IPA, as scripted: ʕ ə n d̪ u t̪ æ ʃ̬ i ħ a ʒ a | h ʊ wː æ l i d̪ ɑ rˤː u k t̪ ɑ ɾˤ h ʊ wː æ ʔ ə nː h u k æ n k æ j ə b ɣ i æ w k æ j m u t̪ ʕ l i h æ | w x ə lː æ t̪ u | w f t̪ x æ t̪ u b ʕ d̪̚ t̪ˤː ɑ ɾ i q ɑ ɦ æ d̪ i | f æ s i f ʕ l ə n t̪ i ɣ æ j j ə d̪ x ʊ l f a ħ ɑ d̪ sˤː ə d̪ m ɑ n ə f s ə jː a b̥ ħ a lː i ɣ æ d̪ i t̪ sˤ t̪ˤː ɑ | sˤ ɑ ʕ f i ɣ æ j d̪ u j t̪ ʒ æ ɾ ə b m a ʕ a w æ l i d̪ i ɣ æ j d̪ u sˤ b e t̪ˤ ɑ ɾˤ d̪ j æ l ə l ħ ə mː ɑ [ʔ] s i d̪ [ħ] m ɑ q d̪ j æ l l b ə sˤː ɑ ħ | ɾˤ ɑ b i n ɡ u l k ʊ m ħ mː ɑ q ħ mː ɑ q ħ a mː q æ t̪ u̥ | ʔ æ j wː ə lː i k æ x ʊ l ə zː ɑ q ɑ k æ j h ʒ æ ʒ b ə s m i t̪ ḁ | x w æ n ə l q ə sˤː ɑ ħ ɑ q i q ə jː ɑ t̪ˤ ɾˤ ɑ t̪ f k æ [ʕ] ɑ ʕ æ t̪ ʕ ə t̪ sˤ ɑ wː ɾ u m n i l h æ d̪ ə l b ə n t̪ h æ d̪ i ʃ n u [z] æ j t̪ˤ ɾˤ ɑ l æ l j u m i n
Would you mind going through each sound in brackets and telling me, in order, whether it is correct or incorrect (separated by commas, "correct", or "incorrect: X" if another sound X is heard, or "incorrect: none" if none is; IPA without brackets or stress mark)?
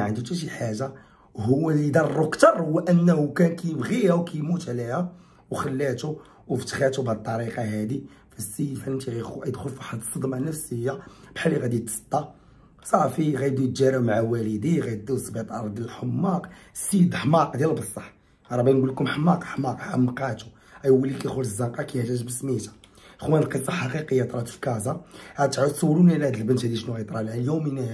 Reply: incorrect: q, correct, incorrect: z, incorrect: ɣ